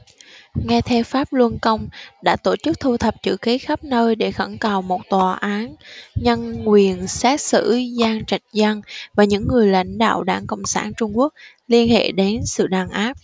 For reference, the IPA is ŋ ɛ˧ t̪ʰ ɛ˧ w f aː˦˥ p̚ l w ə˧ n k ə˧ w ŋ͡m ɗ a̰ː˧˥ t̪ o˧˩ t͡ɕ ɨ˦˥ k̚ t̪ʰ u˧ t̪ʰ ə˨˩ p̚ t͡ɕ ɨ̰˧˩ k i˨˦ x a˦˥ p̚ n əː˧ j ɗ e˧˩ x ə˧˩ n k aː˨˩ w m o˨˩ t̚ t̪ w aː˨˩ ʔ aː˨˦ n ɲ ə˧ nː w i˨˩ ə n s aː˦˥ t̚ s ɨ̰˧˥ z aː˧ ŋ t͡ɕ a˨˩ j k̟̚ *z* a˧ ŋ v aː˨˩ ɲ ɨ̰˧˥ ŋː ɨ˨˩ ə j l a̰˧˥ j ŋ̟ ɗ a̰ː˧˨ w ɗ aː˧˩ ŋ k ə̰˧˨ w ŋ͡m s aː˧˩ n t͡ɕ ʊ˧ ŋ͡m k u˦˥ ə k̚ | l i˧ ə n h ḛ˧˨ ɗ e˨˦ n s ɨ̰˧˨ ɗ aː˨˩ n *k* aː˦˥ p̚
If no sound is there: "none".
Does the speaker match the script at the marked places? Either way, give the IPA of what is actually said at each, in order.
z, ʔ

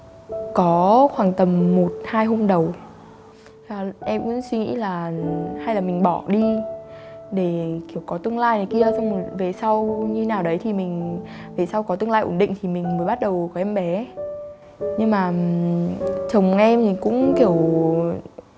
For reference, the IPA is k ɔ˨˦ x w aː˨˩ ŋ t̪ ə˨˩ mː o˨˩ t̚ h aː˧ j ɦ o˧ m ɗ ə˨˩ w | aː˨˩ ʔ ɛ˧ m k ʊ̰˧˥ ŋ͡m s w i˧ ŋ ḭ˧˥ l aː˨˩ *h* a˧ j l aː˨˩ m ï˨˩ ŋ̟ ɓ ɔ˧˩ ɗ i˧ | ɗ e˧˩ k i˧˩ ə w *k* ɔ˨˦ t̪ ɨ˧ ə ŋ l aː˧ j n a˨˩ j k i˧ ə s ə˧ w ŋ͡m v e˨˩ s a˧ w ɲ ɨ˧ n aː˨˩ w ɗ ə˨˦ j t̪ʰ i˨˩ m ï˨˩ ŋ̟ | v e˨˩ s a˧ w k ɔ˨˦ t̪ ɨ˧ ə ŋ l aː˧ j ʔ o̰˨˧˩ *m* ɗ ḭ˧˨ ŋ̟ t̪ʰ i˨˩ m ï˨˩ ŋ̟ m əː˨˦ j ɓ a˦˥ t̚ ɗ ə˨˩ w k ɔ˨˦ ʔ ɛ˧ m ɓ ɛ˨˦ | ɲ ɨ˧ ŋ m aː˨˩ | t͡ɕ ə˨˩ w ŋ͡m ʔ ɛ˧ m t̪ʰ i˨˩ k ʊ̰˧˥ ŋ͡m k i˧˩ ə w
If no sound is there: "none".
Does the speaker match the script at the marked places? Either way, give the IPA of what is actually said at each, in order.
h, k, n

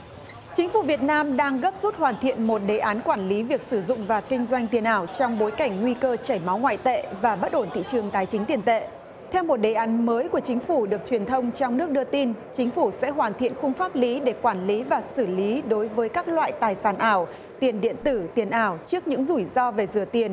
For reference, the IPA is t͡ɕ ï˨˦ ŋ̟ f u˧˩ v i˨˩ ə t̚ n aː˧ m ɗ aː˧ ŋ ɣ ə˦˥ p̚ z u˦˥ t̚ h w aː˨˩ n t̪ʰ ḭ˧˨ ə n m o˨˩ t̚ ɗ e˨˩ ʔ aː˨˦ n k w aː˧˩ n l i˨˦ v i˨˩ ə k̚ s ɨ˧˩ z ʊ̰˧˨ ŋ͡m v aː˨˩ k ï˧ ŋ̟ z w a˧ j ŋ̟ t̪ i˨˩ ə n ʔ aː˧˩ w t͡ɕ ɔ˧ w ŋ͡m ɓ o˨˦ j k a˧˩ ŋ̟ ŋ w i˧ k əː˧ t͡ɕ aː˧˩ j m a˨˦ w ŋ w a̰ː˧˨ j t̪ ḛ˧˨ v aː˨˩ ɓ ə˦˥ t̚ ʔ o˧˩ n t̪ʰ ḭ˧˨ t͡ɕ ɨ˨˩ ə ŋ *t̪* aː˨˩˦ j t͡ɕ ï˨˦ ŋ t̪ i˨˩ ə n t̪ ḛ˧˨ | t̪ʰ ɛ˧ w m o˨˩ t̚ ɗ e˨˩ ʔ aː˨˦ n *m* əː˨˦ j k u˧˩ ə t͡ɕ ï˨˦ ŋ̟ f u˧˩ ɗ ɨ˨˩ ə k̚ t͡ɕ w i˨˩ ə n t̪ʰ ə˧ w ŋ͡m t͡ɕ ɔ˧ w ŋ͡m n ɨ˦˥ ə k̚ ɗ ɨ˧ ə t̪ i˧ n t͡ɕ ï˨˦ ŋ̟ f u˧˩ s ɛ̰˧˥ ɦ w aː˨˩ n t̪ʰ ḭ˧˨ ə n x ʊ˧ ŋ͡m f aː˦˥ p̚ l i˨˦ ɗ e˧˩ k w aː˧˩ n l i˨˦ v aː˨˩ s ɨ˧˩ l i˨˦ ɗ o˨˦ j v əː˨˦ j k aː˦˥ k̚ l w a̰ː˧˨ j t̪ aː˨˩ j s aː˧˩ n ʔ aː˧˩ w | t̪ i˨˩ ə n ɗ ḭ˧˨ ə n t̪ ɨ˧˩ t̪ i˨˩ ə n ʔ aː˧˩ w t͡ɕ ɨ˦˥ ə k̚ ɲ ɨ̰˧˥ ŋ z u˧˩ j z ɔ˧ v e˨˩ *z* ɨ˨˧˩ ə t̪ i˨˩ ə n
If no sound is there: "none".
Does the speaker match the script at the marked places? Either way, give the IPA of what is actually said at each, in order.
t̪, m, z

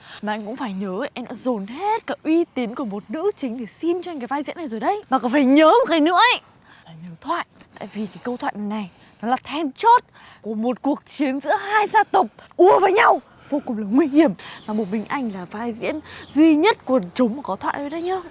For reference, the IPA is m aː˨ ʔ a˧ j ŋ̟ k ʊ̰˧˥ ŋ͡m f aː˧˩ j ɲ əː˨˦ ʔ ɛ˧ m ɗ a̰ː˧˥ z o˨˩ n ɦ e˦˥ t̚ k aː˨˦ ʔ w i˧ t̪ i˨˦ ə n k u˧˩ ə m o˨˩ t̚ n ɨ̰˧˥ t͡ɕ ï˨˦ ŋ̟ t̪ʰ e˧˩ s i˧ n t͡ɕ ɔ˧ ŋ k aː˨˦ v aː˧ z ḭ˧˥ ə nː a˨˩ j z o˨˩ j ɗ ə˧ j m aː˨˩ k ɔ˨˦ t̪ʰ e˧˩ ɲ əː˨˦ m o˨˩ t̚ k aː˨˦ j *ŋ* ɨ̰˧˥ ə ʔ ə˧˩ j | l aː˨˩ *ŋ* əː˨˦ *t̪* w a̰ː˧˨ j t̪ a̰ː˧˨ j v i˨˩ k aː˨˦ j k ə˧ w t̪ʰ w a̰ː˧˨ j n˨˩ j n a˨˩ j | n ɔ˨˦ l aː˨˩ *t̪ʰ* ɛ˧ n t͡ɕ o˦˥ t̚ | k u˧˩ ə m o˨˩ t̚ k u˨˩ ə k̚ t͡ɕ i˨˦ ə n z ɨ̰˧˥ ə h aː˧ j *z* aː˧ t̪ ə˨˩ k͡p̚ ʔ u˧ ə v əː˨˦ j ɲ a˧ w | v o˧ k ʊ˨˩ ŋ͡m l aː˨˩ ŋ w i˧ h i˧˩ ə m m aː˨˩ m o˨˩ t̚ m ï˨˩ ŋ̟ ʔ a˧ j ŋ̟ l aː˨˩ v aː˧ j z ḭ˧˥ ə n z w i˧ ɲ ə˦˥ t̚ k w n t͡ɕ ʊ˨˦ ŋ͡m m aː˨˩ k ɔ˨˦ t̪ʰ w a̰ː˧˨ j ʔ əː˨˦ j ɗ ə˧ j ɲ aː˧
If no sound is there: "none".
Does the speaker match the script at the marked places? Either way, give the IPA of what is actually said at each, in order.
n, ɲ, t̪ʰ, t̪ʰ, z

